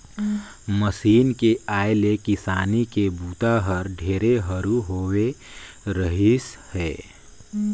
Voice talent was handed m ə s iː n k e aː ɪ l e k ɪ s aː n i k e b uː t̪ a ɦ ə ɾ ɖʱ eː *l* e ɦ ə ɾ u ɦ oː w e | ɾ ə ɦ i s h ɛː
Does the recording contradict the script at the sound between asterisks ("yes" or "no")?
yes